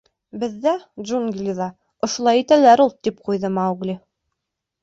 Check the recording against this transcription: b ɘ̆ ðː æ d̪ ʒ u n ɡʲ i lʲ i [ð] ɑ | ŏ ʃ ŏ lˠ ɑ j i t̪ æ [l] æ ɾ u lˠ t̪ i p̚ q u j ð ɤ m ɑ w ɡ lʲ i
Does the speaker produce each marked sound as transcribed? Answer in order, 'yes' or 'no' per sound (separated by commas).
yes, yes